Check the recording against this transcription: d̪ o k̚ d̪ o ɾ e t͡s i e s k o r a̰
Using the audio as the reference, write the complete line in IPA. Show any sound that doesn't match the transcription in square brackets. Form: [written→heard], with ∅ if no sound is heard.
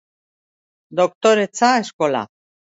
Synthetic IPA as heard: d̪ o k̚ [d̪→t̪] o ɾ e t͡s [i→a] e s k o [r→l] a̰